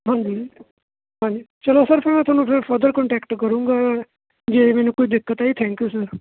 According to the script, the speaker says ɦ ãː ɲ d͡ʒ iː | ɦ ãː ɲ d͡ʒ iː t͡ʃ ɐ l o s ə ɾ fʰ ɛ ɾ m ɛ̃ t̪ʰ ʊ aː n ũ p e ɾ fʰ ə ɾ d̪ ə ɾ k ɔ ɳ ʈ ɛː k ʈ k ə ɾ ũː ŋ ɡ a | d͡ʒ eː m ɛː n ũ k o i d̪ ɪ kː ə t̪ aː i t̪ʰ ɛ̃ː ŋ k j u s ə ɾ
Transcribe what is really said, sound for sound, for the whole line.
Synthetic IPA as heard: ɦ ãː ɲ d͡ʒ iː | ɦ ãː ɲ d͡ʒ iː t͡ʃ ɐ l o s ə ɾ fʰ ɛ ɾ m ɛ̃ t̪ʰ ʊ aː n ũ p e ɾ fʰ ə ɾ d̪ ə ɾ k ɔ ɳ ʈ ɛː k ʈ k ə ɾ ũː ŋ ɡ a | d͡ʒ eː m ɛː n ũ k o i d̪ ɪ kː ə t̪ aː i t̪ʰ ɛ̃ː ŋ k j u s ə ɾ